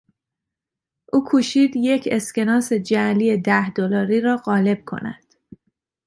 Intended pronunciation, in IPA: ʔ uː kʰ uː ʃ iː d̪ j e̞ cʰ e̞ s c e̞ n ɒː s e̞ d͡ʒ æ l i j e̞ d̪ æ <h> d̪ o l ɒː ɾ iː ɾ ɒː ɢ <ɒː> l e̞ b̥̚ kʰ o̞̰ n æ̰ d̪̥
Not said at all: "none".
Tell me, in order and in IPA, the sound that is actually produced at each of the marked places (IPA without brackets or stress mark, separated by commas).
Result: h, ɒː